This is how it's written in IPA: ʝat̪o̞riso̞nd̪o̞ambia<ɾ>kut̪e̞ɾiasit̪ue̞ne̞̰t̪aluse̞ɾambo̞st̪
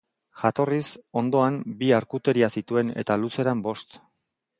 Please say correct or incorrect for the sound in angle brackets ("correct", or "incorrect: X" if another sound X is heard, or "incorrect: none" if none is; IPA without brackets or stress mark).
correct